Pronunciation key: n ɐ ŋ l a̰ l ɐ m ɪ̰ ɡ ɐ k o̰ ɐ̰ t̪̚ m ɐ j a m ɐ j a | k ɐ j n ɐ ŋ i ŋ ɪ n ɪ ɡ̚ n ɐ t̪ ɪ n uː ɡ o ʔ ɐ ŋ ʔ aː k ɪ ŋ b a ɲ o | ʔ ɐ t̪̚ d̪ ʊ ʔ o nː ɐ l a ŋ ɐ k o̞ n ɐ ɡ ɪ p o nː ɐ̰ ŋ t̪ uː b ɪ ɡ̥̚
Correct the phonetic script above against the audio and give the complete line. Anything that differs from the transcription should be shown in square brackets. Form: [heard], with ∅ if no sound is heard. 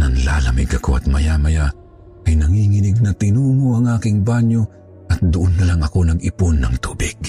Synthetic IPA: n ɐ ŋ l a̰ l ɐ m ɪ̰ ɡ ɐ k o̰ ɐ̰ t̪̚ m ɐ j a m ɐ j a | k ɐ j n ɐ ŋ i ŋ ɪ n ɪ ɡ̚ n ɐ t̪ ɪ n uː [ŋ] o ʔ ɐ ŋ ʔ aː k ɪ ŋ b a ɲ o | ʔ ɐ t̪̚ d̪ ʊ ʔ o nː ɐ l a ŋ ɐ k o̞ n ɐ ɡ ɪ p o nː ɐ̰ ŋ t̪ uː b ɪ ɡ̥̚